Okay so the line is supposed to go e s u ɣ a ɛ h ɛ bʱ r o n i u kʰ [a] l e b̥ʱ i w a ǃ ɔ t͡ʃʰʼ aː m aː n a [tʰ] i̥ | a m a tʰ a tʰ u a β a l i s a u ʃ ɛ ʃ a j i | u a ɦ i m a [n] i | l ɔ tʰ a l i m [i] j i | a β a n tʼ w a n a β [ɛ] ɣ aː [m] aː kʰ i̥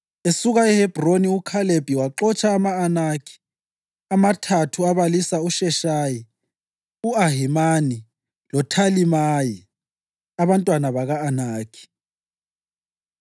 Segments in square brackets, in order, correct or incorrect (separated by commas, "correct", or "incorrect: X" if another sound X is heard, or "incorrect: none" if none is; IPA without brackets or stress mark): correct, incorrect: kʰ, correct, incorrect: a, incorrect: a, incorrect: n